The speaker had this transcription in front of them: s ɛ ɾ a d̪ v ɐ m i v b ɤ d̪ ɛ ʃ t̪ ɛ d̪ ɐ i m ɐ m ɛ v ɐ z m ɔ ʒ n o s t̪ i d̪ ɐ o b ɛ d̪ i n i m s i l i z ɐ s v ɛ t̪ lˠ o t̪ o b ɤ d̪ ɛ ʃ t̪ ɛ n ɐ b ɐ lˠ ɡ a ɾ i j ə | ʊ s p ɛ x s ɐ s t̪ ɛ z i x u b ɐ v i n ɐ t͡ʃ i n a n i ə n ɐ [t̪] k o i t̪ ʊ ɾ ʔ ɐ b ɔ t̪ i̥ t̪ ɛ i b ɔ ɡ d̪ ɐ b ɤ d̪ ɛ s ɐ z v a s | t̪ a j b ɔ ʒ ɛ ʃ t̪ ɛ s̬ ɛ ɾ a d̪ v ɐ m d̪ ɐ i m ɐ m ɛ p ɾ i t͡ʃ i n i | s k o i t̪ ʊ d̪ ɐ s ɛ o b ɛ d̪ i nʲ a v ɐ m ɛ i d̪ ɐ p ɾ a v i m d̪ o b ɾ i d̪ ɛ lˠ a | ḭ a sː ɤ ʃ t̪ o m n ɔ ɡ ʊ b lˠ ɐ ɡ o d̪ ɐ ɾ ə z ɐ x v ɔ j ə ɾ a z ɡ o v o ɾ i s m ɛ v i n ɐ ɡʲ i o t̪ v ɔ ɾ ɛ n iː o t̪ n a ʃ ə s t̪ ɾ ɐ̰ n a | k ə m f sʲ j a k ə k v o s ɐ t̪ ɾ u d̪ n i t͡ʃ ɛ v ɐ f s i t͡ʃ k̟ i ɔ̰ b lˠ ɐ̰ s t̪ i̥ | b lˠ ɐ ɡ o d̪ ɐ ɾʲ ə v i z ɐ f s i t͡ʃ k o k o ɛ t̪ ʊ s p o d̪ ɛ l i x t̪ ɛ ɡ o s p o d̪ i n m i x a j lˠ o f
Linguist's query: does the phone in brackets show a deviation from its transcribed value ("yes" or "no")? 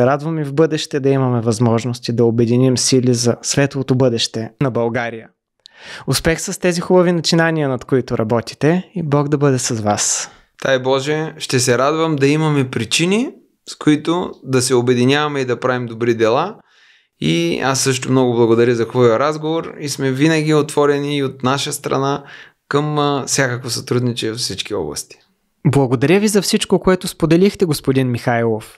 no